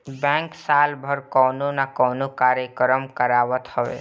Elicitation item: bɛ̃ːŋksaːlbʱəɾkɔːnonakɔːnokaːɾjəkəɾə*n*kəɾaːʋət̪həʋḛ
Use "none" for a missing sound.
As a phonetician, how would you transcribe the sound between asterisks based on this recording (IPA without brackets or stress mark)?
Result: m